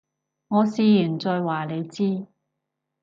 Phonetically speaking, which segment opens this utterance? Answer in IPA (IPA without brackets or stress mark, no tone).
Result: ŋ